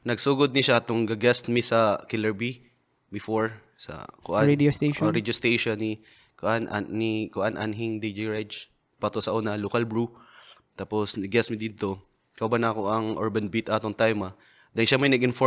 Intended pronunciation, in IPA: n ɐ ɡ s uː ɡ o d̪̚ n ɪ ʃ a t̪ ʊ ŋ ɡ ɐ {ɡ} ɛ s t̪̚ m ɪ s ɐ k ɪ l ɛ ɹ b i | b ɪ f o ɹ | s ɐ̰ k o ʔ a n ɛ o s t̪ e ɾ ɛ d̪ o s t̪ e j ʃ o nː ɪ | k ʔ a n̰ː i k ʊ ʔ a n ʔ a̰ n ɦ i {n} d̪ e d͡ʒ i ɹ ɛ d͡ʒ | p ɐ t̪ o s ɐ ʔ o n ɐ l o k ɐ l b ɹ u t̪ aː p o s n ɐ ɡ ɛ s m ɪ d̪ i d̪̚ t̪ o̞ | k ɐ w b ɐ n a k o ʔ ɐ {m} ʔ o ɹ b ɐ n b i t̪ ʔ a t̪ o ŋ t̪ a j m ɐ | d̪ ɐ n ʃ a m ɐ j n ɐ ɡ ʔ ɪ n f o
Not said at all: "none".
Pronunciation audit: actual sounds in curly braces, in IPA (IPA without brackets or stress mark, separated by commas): ɡ, ŋ, ŋ